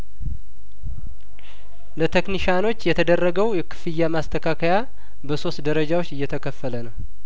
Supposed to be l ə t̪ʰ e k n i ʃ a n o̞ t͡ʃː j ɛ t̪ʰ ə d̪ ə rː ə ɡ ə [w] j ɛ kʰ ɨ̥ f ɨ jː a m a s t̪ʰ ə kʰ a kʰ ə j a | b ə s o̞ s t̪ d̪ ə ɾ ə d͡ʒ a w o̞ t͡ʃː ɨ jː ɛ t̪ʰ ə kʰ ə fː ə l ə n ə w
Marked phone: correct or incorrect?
correct